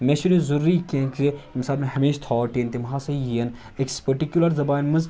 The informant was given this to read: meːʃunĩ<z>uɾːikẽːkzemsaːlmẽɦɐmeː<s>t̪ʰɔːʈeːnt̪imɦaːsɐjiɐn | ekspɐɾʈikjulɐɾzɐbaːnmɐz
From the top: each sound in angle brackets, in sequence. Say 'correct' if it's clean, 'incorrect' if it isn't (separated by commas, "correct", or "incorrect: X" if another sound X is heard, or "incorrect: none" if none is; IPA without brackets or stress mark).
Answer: correct, incorrect: ʃ